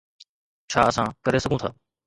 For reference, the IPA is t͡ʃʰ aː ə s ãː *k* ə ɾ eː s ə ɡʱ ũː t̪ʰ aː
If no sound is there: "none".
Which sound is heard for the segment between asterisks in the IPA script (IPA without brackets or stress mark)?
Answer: k